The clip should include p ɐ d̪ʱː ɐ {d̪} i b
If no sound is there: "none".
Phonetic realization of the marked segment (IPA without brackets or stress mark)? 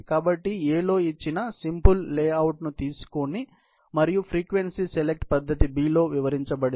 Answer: t̪